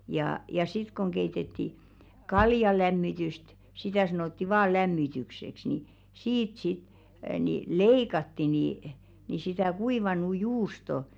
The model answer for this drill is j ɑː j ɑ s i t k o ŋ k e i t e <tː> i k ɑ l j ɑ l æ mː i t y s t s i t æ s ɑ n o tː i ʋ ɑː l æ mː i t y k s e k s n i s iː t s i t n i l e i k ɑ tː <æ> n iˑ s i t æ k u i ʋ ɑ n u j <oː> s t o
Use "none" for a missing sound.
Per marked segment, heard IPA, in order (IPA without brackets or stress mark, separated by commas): tː, i, uː